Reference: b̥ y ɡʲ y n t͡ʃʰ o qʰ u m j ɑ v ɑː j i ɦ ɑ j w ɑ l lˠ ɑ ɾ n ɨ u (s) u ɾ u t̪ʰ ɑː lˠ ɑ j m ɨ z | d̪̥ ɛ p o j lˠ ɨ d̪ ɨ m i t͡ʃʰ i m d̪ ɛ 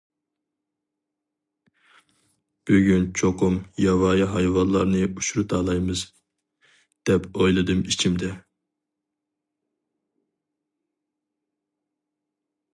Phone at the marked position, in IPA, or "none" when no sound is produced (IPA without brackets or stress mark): ʃ